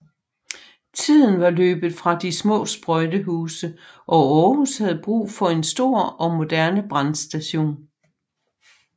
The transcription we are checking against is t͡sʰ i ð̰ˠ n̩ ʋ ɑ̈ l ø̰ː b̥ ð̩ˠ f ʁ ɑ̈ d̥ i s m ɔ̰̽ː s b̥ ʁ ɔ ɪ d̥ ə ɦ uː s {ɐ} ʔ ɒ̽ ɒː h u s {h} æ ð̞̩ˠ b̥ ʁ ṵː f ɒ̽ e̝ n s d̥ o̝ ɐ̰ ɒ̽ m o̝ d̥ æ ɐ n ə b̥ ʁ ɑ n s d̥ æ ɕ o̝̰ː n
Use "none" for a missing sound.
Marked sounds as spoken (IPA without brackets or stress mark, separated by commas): ə, h